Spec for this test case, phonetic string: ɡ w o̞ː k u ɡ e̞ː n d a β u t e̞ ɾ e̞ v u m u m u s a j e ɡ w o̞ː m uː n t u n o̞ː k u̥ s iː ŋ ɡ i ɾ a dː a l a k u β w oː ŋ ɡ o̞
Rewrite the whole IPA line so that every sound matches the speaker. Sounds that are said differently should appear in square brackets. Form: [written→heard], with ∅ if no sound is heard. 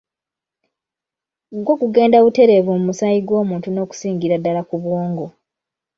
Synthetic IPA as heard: ɡ w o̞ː k u ɡ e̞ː n d a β u t e̞ ɾ e̞ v u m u m u s a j [e→i] ɡ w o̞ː m uː n t u n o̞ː k u̥ s iː ŋ ɡ i ɾ a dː a l a k u β w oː ŋ ɡ o̞